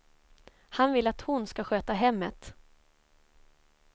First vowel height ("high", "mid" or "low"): low